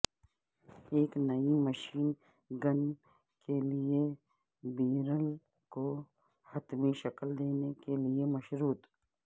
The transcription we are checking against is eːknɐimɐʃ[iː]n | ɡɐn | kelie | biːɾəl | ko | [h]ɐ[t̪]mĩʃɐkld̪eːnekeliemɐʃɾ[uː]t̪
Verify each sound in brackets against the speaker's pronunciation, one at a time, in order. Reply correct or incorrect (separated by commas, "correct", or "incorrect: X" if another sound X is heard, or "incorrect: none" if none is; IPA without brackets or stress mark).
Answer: correct, correct, correct, correct